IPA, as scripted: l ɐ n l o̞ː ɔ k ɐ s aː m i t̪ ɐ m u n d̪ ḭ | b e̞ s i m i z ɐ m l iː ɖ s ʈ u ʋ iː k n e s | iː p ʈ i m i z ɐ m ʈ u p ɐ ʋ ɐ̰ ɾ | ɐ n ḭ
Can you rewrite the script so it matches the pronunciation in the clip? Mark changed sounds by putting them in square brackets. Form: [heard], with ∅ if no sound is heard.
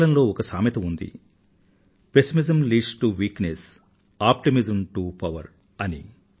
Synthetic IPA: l ɐ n l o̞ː ɔ k ɐ s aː m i t̪ ɐ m u n d̪ ḭ | [p] e̞ s i m i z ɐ m l iː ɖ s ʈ u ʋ iː k n e s | [aː] p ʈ i m i z ɐ m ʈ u p ɐ ʋ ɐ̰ ɾ | ɐ n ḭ